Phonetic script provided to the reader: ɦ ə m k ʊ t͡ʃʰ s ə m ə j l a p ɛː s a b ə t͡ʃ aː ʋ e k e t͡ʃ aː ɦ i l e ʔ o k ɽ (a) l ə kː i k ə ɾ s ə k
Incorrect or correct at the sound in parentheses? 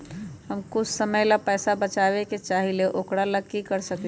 correct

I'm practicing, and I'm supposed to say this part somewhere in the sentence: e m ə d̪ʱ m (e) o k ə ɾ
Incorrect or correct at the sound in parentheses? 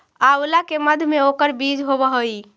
correct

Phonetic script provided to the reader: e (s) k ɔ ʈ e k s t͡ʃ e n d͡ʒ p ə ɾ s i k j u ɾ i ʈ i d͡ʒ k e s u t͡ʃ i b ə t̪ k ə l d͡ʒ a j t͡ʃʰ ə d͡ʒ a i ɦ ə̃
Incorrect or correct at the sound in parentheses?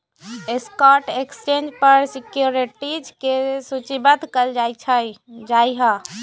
correct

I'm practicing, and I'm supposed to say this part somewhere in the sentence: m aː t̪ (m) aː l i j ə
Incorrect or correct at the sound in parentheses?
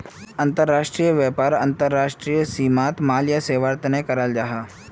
correct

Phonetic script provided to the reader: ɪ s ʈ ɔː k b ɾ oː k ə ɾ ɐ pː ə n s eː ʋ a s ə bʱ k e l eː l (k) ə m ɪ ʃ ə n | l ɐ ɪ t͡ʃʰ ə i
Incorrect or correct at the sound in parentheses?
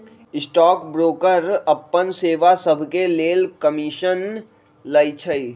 correct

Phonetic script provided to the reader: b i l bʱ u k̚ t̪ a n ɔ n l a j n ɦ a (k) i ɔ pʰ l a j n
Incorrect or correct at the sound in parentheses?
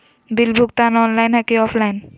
correct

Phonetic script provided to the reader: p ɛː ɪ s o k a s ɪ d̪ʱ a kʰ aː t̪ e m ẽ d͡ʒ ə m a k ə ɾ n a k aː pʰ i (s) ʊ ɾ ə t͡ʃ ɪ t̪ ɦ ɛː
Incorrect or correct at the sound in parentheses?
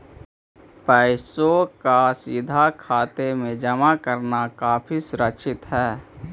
correct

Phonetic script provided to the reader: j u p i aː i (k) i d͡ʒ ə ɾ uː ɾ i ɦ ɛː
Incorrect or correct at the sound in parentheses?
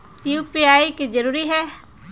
correct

